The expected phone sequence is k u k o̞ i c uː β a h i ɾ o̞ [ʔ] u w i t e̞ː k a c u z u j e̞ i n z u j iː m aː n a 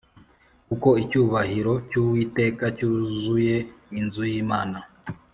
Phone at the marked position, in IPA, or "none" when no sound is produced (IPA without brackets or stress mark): c